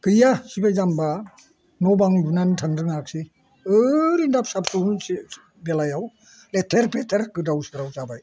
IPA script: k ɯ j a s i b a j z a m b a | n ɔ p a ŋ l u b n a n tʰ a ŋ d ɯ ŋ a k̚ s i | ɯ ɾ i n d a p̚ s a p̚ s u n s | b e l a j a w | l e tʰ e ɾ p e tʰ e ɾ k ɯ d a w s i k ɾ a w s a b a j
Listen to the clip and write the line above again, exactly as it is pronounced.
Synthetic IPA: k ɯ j a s i b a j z a m b a | n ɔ b a ŋ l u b n a n tʰ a ŋ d ɯ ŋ a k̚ s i | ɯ ɾ i n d a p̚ s a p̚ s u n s | b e l a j a w | l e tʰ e ɾ p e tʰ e ɾ k ɯ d a w s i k ɾ a w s a b a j